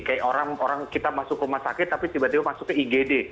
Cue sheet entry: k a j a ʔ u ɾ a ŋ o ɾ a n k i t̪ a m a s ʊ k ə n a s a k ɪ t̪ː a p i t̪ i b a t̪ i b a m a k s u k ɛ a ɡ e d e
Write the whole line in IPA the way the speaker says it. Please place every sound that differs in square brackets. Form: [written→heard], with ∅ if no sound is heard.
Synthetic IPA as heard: k a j a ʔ [u→o] ɾ a ŋ o ɾ a [n→ŋ] k i t̪ a m a s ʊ k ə [n→m] a s a k ɪ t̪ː a p i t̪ i b a t̪ i b a m a [k→∅] s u k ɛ [a→i] ɡ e d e

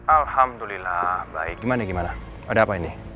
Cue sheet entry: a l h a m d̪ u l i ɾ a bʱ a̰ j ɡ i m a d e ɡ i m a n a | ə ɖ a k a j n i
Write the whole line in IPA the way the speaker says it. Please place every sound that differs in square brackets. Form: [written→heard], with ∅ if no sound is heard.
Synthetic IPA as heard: a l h a m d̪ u l i [ɾ→l] a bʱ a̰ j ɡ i m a [d→n] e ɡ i m a n a | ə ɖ a [k→p] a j n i

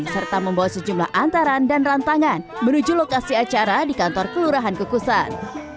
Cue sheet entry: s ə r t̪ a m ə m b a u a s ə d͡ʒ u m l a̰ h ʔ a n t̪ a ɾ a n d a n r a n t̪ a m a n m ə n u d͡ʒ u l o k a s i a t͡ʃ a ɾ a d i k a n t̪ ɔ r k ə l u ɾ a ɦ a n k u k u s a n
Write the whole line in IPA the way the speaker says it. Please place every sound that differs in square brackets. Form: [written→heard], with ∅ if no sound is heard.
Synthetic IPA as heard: s ə r t̪ a m ə m b a [u→w] a s ə d͡ʒ u m l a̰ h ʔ a n t̪ a ɾ a n d a n r a n t̪ a [m→ŋ] a n m ə n u d͡ʒ u l o k a s i a t͡ʃ a ɾ a d i k a n t̪ ɔ r k ə l u ɾ a ɦ a n k u k u s a n

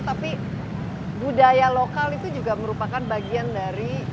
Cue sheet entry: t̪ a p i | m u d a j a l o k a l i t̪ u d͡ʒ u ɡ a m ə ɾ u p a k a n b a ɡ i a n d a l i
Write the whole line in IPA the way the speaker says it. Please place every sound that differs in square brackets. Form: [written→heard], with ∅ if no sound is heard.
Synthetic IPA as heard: t̪ a p i | [m→b] u d a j a l o k a l i t̪ u d͡ʒ u ɡ a m ə ɾ u p a k a n b a ɡ i a n d a [l→ɾ] i

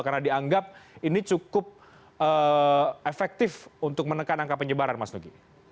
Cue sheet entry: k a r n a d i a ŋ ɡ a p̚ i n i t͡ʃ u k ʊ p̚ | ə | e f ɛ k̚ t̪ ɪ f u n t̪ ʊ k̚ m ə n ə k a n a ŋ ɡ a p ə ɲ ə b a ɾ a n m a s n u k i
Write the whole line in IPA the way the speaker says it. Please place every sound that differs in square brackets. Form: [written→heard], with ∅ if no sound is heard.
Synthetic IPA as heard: k a r n a d i a ŋ ɡ a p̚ i n i t͡ʃ u k ʊ p̚ | ə | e f ɛ k̚ t̪ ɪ f u n t̪ ʊ k̚ m ə n ə k a n a ŋ [ɡ→k] a p ə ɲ ə b a ɾ a n m a s n u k i

